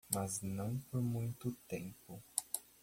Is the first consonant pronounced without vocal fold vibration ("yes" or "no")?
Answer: no